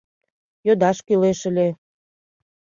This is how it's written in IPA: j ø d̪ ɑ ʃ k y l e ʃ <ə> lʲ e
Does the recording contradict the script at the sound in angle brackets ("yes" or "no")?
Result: no